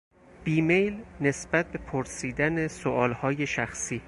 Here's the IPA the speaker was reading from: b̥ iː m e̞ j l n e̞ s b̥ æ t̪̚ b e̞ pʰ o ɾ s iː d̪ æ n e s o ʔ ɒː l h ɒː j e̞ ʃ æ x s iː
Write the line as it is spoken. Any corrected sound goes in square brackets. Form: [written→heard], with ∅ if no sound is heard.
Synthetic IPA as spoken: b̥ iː m e̞ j l n e̞ s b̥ æ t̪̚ b e̞ pʰ o ɾ s iː d̪ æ n e s o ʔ ɒː l h ɒː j e̞ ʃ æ x s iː